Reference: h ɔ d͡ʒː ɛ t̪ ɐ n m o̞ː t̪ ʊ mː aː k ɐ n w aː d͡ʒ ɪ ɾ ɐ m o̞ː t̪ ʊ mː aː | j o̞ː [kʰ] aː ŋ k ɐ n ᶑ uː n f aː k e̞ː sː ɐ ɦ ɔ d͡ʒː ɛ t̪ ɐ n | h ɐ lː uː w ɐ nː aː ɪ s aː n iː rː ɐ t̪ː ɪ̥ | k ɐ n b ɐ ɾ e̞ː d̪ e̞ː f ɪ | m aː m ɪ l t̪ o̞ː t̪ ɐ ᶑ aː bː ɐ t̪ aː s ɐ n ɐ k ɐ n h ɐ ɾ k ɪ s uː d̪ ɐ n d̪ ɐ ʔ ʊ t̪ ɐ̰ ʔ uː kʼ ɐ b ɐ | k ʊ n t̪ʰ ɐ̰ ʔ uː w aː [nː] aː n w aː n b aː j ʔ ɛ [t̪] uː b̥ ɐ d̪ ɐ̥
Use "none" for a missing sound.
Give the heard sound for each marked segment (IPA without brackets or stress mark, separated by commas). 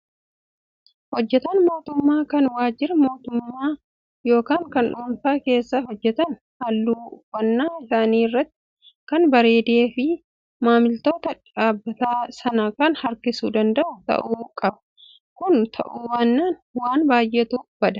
k, nː, t̪